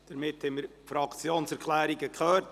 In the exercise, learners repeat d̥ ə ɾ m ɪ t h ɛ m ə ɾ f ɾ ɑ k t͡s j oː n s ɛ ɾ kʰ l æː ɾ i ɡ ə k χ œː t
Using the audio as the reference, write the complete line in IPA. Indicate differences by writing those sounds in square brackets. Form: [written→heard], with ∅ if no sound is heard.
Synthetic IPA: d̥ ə ɾ m ɪ t h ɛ m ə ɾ f ɾ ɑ k t͡s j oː n s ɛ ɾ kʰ l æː ɾ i ɡ ə k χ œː t